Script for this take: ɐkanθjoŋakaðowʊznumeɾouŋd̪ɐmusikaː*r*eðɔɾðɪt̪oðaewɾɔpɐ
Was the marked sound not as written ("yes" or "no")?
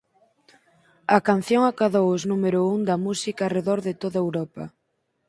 no